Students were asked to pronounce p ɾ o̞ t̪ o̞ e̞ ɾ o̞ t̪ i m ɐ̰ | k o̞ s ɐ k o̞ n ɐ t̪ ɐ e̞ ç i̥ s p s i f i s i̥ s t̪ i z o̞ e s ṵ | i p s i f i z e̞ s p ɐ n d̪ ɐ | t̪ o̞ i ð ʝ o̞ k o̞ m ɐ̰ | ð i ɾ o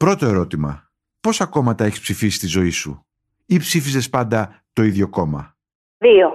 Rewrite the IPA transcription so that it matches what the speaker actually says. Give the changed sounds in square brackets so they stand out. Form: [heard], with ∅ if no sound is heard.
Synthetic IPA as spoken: p ɾ o̞ t̪ o̞ e̞ ɾ o̞ t̪ i m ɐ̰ | [p] o̞ s ɐ k o̞ [m] ɐ t̪ ɐ e̞ ç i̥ s p s i f i s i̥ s t̪ i z o̞ [i] s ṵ | i p s i f i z e̞ s p ɐ n d̪ ɐ | t̪ o̞ i ð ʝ o̞ k o̞ m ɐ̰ | ð i [∅] o